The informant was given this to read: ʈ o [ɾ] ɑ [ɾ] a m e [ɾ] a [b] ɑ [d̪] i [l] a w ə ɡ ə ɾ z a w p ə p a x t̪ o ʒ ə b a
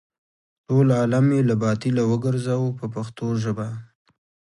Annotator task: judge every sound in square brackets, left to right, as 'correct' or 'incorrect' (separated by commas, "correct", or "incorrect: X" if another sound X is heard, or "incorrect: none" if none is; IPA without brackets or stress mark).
incorrect: l, incorrect: l, incorrect: l, correct, incorrect: t̪, correct